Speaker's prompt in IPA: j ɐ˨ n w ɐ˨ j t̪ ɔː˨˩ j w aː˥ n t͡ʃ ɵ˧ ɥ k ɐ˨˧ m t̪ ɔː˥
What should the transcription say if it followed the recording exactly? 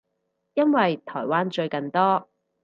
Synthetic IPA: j ɐ˥ n w ɐ˨ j t̪ʰ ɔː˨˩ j w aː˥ n t͡ʃ ɵ˧ ɥ k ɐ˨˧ n t̪ ɔː˥